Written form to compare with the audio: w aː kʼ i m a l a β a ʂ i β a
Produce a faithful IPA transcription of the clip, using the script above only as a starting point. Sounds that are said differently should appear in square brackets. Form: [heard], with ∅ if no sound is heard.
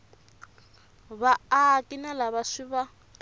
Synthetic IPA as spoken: [β] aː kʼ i [n] a l a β a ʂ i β a